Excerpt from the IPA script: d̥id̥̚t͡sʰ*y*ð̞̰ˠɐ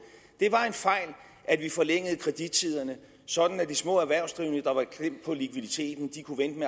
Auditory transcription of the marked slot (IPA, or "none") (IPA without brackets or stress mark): i